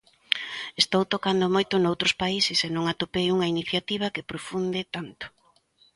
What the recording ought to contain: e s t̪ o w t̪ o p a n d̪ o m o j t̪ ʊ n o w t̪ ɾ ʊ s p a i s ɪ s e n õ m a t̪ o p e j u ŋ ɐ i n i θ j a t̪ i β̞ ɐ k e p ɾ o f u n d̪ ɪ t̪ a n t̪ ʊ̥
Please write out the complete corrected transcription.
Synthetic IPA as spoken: e s t̪ o w t̪ o k a n d̪ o m o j t̪ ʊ n o w t̪ ɾ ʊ s p a i s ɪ s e n õ ŋ a t̪ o p e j u ŋ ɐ i n i θ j a t̪ i β̞ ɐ k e p ɾ o f u n d̪ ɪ t̪ a n t̪ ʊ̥